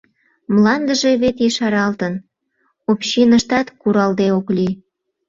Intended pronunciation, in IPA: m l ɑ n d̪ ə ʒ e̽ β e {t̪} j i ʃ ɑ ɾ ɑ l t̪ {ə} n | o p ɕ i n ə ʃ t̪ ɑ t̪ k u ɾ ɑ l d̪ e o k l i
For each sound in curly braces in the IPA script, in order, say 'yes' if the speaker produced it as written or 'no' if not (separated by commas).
yes, yes